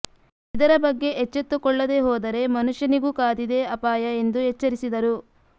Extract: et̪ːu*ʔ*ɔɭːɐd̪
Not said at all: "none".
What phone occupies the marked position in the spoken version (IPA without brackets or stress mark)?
k